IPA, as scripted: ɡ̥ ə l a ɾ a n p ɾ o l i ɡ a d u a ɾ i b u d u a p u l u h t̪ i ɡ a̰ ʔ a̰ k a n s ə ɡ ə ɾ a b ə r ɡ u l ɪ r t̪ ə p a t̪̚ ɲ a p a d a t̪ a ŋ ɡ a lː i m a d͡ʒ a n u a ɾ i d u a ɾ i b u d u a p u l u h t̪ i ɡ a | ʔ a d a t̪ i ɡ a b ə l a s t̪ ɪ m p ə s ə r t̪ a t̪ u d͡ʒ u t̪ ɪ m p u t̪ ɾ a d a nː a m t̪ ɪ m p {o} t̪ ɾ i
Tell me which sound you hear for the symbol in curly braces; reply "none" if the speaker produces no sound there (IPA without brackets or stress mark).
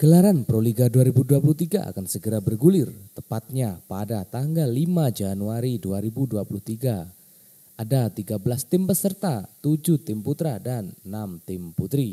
u